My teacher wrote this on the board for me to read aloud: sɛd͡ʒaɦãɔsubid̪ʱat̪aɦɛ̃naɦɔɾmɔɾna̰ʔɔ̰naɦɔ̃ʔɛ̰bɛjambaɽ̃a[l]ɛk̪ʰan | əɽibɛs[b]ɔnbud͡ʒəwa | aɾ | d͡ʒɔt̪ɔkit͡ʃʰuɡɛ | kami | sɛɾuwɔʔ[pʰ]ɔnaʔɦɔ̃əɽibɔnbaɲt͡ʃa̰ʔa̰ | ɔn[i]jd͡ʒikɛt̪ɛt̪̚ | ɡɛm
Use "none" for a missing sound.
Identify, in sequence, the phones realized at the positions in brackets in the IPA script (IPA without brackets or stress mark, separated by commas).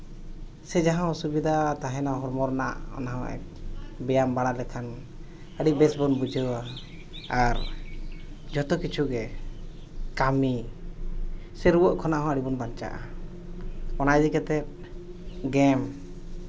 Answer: l, b, kʰ, a